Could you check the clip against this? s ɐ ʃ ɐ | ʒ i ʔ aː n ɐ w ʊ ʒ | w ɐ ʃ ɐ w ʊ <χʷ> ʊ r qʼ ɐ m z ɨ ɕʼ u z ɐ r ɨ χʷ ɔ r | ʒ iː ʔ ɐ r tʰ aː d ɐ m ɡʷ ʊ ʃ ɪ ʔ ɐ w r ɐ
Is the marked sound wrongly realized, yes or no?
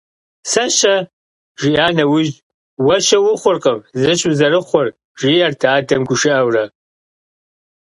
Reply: no